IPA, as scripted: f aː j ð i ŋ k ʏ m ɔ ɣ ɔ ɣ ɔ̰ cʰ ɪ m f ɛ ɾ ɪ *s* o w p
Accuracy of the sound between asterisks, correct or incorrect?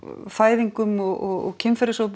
correct